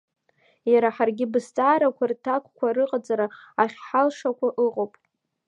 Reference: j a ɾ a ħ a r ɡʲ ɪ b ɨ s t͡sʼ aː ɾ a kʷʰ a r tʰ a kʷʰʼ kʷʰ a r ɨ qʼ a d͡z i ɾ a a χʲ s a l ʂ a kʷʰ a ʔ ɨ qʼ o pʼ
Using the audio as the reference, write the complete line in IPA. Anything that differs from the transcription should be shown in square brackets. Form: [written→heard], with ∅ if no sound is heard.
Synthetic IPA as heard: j a ɾ a ħ a r ɡʲ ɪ b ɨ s t͡sʼ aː ɾ a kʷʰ a r tʰ a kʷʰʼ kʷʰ a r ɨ qʼ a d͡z [i→a] ɾ a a χʲ [s→ħ] a l ʂ a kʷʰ a ʔ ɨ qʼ o pʼ